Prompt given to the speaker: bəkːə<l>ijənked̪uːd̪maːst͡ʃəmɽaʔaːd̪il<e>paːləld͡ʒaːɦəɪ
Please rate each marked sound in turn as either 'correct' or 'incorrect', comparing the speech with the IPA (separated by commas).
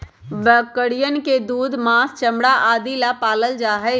incorrect, incorrect